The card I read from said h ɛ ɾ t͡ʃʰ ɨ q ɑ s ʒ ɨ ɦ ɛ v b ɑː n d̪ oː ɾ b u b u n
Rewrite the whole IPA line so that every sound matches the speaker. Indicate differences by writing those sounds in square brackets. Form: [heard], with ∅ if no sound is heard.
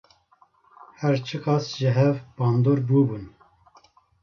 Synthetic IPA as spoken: h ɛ ɾ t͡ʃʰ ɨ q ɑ s ʒ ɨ ɦ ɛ v b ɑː n d̪ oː ɾ b u b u n